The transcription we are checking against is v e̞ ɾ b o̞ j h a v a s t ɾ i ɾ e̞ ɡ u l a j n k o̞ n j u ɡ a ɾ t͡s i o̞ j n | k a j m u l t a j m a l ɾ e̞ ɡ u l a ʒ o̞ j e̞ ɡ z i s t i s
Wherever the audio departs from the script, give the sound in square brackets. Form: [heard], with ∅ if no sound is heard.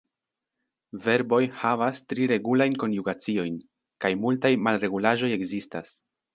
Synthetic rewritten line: v e̞ ɾ b o̞ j h a v a s t ɾ i ɾ e̞ ɡ u l a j n k o̞ n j u ɡ a [∅] t͡s i o̞ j n | k a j m u l t a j m a l ɾ e̞ ɡ u l a ʒ o̞ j e̞ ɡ z i s t [a] s